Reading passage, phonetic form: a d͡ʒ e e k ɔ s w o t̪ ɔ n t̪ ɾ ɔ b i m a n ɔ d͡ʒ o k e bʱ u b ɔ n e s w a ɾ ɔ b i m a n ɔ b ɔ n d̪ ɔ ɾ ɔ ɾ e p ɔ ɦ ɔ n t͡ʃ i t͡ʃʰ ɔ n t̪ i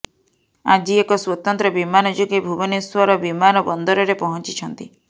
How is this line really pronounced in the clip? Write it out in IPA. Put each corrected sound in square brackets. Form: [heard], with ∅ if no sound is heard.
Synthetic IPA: a d͡ʒ [i] e k ɔ s w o t̪ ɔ n t̪ ɾ ɔ b i m a n ɔ d͡ʒ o [ɡ] e bʱ u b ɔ n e s w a ɾ ɔ b i m a n ɔ b ɔ n d̪ ɔ ɾ ɔ ɾ e p ɔ ɦ ɔ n t͡ʃ i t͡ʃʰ ɔ n t̪ i

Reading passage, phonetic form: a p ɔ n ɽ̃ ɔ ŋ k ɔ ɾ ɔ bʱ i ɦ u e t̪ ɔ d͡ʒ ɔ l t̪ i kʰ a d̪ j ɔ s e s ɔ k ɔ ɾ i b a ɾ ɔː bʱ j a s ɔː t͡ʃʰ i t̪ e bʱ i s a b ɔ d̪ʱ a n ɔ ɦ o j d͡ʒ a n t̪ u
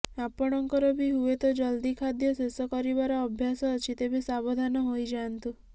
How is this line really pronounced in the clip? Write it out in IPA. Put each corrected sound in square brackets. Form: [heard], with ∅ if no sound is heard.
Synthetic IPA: a p ɔ [∅] ɽ̃ ɔ ŋ k ɔ ɾ ɔ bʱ i ɦ u e t̪ ɔ d͡ʒ ɔ l [d̪] i kʰ a d̪ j ɔ s e s ɔ k ɔ ɾ i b a ɾ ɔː bʱ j a s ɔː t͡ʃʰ i t̪ e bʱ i s a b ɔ d̪ʱ a n ɔ ɦ o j d͡ʒ a n t̪ u

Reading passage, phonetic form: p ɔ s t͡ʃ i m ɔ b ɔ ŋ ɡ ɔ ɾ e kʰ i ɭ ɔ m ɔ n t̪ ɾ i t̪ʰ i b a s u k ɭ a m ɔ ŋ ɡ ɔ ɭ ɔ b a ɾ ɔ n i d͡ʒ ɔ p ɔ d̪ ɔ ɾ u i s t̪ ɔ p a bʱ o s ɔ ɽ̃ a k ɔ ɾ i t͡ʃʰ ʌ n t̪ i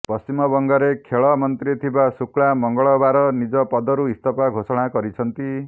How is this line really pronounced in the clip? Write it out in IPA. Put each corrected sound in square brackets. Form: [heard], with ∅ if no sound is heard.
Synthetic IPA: p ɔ s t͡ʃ i m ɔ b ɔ ŋ ɡ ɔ ɾ e kʰ [e] ɭ ɔ m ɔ n t̪ ɾ i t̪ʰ i b a s u k ɭ a m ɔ ŋ ɡ ɔ ɭ ɔ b a ɾ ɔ n i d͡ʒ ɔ p ɔ d̪ ɔ ɾ u i s t̪ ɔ p a [ɡʱ] o s ɔ ɽ̃ a k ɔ ɾ i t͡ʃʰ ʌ n t̪ i

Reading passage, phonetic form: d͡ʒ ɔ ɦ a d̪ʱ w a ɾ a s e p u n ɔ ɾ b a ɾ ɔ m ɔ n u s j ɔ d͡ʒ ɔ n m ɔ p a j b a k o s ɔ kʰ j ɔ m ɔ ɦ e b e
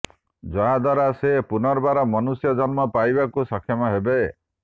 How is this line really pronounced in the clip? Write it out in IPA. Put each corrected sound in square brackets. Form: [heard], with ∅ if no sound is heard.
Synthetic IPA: d͡ʒ ɔ ɦ a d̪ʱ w a ɾ a s e p u n ɔ ɾ b a ɾ ɔ m ɔ n u s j ɔ d͡ʒ ɔ n m ɔ p a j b a k [u] s ɔ kʰ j ɔ m ɔ ɦ e b e

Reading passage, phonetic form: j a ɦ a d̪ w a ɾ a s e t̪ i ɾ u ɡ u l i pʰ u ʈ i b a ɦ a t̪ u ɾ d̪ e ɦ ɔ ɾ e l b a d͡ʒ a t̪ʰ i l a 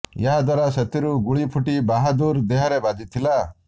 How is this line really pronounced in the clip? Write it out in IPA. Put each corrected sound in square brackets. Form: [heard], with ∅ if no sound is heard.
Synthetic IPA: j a ɦ a d̪ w a ɾ a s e t̪ i ɾ u ɡ u [ɭ] i pʰ u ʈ i b a ɦ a [d̪] u ɾ d̪ e ɦ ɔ ɾ e [∅] b a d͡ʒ [i] t̪ʰ i l a

